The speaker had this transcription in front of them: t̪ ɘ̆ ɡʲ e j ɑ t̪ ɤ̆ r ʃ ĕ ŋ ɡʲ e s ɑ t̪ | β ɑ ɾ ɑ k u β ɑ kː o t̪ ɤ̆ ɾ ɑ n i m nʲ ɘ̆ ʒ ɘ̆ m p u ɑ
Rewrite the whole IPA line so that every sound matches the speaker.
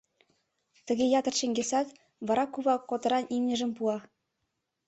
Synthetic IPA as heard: t̪ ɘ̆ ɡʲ e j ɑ t̪ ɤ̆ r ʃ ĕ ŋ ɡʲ e s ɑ t̪ | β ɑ ɾ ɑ k u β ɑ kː o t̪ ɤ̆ ɾ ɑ n i m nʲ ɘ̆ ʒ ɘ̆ m p u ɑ